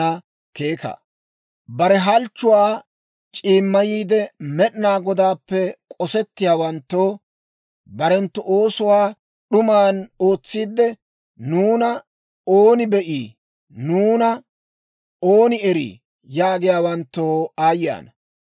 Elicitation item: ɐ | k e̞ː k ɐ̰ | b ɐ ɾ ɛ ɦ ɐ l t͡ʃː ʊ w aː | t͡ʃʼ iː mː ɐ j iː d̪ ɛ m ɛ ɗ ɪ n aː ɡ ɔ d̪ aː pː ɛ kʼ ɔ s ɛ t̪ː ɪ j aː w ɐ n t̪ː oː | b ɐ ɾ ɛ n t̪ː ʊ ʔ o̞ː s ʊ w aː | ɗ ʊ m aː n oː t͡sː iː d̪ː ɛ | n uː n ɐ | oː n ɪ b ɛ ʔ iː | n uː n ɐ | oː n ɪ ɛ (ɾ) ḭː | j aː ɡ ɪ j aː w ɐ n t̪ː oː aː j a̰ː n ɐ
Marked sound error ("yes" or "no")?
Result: no